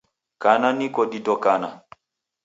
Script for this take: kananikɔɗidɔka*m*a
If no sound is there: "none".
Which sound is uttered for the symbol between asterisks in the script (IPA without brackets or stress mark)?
n